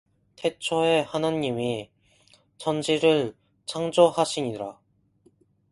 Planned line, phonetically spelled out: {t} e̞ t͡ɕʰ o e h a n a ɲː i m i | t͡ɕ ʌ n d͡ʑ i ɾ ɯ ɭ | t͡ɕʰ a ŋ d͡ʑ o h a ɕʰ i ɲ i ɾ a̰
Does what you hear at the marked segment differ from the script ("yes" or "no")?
yes